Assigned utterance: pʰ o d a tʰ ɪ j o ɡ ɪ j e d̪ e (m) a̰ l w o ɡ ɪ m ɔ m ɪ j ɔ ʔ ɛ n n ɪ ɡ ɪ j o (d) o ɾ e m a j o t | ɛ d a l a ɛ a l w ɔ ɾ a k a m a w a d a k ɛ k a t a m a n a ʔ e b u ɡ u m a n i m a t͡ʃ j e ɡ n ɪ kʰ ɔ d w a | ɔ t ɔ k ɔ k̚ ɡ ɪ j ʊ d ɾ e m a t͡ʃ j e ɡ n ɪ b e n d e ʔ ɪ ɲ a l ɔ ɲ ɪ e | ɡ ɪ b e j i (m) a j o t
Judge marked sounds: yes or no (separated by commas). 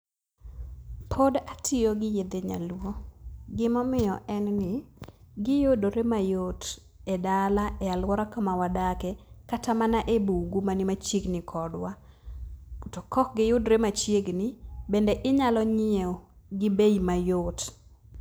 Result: no, yes, yes